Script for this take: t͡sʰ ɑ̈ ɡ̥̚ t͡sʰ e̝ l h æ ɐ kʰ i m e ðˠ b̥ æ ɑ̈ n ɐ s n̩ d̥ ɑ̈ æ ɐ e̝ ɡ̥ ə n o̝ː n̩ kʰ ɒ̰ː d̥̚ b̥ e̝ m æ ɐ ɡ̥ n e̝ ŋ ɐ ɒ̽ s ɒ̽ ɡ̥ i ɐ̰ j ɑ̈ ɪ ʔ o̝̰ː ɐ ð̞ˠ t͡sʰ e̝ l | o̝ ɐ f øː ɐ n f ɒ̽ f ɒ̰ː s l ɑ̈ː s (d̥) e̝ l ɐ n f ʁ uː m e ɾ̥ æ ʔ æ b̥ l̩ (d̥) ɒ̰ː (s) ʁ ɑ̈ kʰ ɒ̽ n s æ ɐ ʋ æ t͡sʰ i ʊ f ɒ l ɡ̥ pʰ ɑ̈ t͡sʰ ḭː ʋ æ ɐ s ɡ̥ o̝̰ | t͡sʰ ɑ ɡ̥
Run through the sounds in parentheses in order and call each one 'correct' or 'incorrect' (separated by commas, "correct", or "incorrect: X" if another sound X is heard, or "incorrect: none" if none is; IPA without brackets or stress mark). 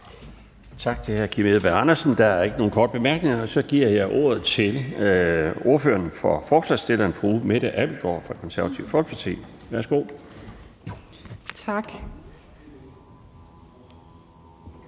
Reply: correct, incorrect: ɡ̥, incorrect: f